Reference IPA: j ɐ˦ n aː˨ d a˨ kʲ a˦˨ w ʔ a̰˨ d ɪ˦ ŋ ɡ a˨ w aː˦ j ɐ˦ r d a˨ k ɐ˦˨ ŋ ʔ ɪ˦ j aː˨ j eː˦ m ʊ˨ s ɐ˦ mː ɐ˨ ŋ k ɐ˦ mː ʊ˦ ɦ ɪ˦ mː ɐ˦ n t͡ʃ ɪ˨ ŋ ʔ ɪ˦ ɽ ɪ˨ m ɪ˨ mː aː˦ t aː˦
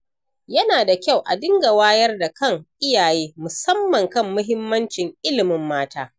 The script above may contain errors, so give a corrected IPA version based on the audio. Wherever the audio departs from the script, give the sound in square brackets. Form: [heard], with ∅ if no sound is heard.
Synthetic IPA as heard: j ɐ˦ n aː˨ d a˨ kʲ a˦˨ w ʔ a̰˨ d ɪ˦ ŋ ɡ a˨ w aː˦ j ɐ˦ r d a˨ k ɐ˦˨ ŋ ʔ ɪ˦ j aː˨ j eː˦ m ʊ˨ s ɐ˦ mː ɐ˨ ŋ k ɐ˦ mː ʊ˦ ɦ ɪ˦ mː ɐ˦ n t͡ʃ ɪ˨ ŋ ʔ ɪ˦ [l] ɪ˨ m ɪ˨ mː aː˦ t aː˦